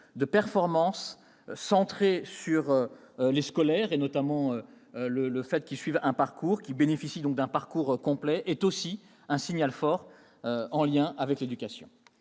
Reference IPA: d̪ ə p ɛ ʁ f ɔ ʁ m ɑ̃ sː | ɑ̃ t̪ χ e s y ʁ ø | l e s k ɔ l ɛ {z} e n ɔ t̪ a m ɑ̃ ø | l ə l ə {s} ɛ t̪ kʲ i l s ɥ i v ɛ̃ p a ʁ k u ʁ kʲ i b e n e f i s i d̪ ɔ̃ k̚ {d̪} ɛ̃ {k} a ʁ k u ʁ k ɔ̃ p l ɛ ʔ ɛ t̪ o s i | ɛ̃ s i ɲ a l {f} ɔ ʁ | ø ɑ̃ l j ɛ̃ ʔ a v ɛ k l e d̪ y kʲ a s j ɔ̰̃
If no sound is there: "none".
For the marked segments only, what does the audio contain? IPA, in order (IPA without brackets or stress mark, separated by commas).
ʁ, f, d̪, p, f